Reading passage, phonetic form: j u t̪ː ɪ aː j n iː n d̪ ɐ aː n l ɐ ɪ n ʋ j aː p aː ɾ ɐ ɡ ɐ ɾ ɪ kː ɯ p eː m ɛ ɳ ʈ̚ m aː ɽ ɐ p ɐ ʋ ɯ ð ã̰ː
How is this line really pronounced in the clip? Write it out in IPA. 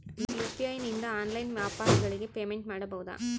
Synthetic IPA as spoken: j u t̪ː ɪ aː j n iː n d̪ ɐ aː n l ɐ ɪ n ʋ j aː p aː ɾ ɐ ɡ ɐ ɭ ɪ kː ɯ p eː m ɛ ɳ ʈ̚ m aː ɽ ɐ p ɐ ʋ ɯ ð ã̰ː